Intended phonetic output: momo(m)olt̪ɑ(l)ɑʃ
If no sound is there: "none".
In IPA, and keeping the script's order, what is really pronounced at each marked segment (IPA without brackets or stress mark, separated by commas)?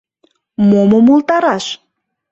m, ɾ